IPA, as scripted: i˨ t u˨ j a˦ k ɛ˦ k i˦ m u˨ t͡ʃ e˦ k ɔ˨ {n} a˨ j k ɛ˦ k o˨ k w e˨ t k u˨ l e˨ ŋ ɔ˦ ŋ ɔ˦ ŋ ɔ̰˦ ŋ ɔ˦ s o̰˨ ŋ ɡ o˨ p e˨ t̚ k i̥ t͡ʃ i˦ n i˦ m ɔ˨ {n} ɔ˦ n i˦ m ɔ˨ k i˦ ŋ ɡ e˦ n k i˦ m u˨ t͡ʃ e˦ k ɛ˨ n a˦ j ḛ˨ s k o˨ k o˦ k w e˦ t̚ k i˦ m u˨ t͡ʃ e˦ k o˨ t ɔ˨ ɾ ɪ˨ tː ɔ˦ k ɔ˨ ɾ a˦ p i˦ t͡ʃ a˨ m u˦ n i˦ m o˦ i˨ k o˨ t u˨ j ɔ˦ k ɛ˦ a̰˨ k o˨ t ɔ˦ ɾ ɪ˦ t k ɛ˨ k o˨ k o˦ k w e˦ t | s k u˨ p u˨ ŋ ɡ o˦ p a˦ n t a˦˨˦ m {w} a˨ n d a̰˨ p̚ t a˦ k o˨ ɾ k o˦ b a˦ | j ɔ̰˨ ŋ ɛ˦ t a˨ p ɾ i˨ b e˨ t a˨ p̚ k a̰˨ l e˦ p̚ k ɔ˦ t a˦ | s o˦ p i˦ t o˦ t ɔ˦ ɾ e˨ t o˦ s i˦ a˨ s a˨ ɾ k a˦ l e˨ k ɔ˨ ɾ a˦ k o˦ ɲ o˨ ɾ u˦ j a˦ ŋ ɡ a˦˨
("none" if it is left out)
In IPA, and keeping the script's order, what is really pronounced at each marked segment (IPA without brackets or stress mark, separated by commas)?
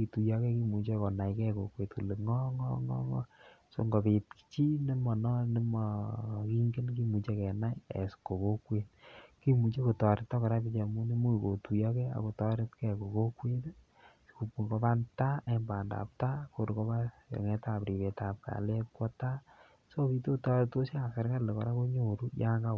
n, n, b